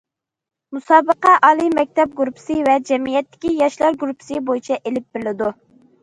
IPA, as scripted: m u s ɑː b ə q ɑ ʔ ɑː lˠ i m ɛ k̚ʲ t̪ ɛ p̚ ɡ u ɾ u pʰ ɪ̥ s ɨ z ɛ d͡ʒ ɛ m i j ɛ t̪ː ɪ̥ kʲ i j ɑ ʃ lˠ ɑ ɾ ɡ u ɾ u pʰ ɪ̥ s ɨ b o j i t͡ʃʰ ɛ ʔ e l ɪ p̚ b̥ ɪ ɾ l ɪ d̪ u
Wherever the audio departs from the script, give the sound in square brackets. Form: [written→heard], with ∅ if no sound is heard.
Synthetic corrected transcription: m u s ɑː b ə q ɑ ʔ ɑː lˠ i m ɛ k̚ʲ t̪ ɛ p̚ ɡ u ɾ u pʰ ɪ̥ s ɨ [z→v] ɛ d͡ʒ ɛ m i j ɛ t̪ː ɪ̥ kʲ i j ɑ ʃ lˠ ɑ ɾ ɡ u ɾ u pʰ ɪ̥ s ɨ b o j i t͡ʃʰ ɛ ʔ e l ɪ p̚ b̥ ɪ ɾ l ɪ d̪ u